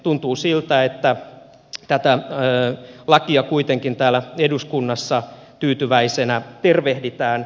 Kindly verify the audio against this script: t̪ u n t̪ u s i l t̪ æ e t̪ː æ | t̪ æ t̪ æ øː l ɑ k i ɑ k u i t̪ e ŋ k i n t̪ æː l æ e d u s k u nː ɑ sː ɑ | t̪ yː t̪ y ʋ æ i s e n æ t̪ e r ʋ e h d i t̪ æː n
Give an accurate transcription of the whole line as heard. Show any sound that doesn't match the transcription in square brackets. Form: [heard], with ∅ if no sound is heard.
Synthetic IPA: t̪ u n t̪ [uː] s i l t̪ æ e t̪ː æ | t̪ æ t̪ æ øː l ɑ k i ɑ k u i t̪ e ŋ k i n t̪ æː l æ e d u s k u nː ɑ sː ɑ | t̪ yː t̪ y ʋ æ i s e n æ t̪ e r ʋ e h d i t̪ æː n